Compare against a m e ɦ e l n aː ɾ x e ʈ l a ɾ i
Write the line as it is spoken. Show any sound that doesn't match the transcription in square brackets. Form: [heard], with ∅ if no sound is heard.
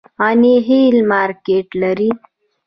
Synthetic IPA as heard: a [n] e ɦ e l [m] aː ɾ [k] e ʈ l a ɾ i